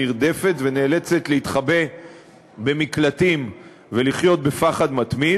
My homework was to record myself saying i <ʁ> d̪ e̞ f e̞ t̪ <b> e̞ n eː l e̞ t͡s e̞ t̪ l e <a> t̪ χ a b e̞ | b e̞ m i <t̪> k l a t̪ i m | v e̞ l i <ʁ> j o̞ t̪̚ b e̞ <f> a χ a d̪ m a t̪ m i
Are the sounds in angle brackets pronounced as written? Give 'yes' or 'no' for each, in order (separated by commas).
yes, no, no, no, no, yes